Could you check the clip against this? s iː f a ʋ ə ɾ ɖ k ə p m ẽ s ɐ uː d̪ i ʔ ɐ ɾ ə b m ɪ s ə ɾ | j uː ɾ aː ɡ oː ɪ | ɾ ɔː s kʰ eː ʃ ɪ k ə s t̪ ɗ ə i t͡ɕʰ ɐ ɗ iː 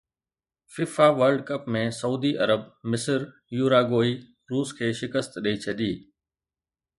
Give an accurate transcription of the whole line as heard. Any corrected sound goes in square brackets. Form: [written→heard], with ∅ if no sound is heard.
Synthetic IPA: [s→f] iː f a ʋ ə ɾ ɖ k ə p m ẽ s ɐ uː d̪ i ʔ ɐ ɾ ə b m ɪ s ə ɾ | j uː ɾ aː ɡ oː [ɪ→i] | ɾ [ɔː→uː] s kʰ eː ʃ ɪ k ə s t̪ ɗ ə i t͡ɕʰ ɐ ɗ iː